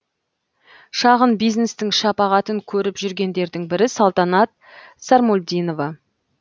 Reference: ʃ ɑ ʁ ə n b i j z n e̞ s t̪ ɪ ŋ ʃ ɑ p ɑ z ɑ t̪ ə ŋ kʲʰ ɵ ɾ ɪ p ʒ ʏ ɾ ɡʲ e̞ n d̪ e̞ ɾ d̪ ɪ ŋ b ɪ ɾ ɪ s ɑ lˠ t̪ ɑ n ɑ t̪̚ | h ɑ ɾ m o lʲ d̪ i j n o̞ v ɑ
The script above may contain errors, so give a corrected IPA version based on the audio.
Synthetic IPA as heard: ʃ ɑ ʁ ə n b i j z n e̞ s t̪ ɪ ŋ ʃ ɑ p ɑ ʁ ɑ t̪ ə ŋ kʲʰ ɵ ɾ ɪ p ʒ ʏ ɾ ɡʲ e̞ n d̪ e̞ ɾ d̪ ɪ ŋ b ɪ ɾ ɪ s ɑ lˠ t̪ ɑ n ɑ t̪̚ | s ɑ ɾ m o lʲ d̪ i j n o̞ v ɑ